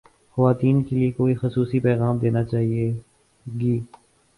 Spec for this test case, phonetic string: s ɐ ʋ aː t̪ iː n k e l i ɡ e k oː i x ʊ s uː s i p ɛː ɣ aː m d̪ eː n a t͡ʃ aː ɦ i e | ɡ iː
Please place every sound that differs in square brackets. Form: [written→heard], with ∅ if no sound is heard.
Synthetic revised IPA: [s→x] ɐ ʋ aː t̪ iː n k e l i [ɡ→∅] e k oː i x ʊ s uː s i p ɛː ɣ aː m d̪ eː n a t͡ʃ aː ɦ i e | ɡ iː